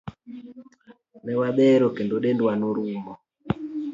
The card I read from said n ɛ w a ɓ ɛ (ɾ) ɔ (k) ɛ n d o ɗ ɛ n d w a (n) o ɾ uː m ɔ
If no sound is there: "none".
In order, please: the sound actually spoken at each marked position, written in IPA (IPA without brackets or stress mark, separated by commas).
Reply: ɾ, k, n